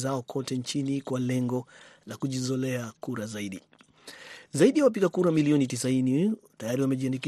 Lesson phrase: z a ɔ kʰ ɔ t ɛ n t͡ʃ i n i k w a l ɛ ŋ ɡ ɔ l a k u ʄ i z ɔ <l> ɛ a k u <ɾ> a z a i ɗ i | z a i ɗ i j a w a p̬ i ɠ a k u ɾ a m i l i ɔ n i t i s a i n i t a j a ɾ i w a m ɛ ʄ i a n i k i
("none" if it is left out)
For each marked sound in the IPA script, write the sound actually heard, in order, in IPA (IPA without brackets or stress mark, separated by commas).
l, ɾ